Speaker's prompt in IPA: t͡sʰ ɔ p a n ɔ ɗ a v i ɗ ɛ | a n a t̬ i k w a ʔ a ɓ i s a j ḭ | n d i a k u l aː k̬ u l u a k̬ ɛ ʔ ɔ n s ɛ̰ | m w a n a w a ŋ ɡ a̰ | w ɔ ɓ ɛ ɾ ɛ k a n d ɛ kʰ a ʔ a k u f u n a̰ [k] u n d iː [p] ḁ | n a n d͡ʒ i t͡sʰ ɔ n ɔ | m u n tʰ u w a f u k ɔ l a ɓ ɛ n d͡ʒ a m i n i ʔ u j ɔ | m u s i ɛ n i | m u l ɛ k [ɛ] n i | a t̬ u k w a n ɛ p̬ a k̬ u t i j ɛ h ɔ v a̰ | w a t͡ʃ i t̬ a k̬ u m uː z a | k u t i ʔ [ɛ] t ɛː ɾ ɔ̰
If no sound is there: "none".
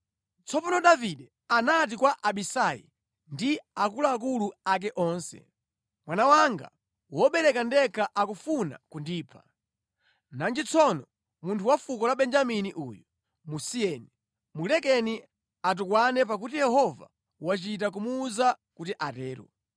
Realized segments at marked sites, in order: k, pʰ, ɛ, a

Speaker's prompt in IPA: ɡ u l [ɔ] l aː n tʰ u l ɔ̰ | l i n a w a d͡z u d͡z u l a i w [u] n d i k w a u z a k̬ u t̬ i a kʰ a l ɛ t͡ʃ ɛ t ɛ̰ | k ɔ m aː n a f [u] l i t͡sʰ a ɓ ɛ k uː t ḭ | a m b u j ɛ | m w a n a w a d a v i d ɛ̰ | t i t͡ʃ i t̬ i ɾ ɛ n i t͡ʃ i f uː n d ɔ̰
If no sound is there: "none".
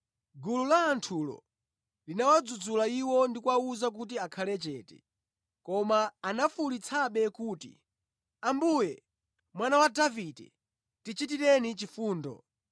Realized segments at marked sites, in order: u, ɔ, u

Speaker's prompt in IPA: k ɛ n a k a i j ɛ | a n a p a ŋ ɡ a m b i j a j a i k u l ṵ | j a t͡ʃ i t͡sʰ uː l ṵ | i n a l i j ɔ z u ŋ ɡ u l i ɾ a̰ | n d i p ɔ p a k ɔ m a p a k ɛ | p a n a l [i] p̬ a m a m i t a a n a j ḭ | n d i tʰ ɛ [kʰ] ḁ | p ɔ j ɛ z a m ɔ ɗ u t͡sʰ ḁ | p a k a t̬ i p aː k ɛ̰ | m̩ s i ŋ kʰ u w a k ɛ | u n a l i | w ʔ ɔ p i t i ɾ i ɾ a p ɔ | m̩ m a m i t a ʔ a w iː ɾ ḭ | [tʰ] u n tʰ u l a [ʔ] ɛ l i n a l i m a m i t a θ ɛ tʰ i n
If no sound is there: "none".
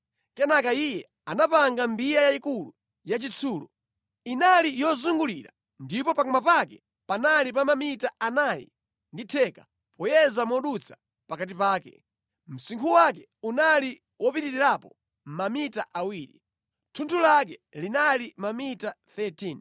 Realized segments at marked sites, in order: i, k, tʰ, k

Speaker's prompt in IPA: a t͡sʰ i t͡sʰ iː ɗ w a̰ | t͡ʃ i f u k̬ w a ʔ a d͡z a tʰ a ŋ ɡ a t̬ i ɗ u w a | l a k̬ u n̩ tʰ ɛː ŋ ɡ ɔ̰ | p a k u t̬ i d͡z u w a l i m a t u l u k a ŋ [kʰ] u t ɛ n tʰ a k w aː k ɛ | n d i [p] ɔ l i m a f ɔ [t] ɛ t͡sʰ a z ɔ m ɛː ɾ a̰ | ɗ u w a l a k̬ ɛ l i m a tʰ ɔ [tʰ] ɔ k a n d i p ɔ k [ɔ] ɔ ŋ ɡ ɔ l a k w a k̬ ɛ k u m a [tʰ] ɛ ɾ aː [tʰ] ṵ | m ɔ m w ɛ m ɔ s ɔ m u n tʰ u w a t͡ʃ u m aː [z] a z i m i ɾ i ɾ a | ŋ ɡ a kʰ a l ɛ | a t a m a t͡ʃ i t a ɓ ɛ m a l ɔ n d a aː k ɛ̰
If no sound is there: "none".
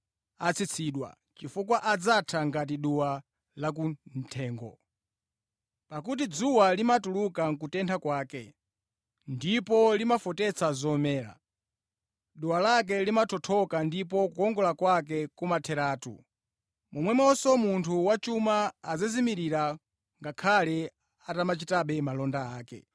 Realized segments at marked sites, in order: k, p, t, tʰ, u, tʰ, t, z

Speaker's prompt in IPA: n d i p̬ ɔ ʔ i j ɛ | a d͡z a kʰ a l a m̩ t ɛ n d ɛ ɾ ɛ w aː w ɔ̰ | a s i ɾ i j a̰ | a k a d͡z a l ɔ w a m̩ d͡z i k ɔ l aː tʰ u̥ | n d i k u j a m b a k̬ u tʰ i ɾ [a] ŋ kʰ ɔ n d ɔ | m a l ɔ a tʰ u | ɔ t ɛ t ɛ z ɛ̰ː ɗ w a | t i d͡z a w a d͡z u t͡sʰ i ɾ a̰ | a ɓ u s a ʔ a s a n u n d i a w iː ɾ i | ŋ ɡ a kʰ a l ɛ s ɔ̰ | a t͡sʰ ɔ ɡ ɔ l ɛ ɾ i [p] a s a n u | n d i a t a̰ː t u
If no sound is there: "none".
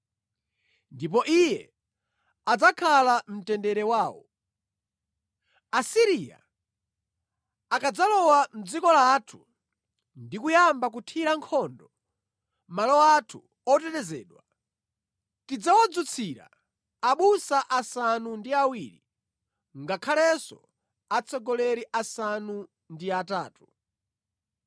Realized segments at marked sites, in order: a, ʔ

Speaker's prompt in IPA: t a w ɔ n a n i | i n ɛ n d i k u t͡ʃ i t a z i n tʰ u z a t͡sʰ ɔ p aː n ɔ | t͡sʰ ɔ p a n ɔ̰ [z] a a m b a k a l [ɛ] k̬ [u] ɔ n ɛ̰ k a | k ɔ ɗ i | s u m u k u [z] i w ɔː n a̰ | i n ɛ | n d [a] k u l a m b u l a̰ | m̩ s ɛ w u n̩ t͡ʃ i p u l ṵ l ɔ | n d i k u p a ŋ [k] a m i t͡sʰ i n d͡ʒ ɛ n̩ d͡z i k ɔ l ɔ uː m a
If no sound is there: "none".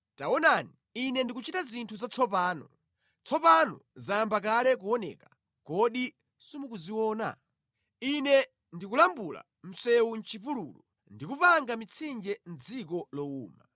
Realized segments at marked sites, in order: z, ɛ, u, z, i, ɡ

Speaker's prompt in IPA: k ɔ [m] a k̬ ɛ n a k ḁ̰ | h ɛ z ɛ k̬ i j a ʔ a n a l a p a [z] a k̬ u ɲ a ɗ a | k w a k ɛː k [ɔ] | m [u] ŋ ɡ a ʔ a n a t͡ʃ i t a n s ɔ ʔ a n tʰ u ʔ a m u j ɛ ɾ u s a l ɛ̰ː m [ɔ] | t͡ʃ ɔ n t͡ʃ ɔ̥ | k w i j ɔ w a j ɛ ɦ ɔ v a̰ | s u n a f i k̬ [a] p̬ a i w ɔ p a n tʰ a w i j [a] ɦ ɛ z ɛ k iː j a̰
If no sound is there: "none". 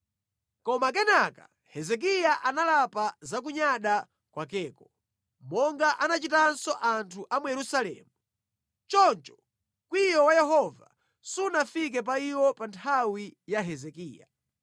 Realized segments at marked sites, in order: m, z, ɔ, ɔ, u, ɛ, a

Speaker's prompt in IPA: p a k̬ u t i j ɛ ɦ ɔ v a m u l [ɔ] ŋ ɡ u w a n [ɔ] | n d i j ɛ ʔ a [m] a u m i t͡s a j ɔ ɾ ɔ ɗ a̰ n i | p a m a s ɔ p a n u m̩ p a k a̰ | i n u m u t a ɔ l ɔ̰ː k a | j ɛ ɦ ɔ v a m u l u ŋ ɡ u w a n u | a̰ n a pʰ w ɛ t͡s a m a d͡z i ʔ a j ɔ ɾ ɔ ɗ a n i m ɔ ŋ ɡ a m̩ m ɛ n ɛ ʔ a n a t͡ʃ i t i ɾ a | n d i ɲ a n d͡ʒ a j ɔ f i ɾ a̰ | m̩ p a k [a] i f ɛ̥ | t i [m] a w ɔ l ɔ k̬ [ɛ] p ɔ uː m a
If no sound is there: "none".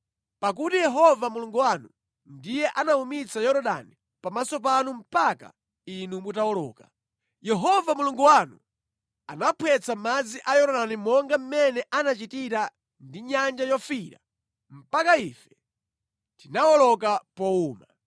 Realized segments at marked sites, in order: u, u, n, a, n, a

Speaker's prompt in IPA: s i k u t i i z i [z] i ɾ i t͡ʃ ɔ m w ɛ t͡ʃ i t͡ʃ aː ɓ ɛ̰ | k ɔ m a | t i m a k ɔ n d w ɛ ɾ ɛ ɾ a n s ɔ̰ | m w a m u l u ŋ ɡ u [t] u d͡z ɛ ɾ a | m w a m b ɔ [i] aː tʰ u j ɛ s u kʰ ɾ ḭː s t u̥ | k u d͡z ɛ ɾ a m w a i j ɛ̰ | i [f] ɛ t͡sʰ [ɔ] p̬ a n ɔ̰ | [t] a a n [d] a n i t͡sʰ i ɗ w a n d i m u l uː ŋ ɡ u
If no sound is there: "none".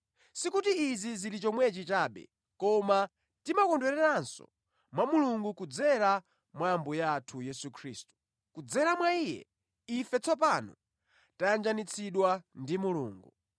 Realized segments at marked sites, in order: z, k, j, f, ɔ, t, d͡ʒ

